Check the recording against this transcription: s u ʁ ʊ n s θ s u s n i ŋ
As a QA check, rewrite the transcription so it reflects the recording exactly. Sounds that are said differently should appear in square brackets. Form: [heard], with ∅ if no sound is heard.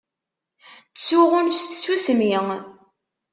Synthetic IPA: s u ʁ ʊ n s θ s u s [m] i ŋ